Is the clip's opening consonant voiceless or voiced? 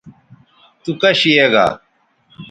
voiceless